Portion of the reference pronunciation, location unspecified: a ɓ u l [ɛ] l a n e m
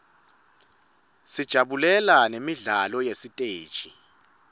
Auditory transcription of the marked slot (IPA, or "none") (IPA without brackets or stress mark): ɛ